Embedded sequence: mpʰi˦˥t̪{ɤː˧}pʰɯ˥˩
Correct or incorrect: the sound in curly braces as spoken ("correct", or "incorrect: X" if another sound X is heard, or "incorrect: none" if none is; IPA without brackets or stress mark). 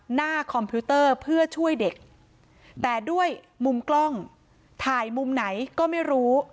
incorrect: ɤː˥˩